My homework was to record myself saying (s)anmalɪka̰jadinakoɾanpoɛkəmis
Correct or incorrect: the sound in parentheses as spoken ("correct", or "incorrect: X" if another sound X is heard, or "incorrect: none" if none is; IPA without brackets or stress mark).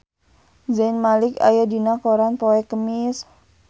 incorrect: z